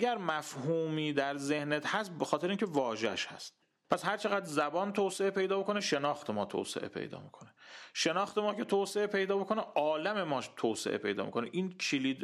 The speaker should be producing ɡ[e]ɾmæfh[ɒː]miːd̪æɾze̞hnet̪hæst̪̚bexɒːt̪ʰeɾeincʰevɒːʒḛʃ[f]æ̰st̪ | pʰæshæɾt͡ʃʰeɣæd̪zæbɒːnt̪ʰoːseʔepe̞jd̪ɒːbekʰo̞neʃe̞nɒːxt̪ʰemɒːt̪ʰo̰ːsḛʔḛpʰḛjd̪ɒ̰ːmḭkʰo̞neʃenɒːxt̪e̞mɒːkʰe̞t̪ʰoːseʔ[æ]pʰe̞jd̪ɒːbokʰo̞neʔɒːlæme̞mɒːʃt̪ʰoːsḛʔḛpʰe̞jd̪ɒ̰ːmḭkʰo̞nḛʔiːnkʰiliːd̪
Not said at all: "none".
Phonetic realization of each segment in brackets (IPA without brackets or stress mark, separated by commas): æ, uː, h, e